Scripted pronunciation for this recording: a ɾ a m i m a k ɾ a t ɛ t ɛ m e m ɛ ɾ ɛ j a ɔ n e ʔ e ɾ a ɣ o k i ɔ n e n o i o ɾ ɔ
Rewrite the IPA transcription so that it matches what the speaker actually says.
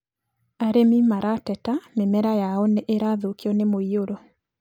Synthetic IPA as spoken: a ɾ e m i m a ɾ a t ɛ t a m e m ɛ ɾ a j a ɔ n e ʔ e ɾ a ð o k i ɔ n e m o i o ɾ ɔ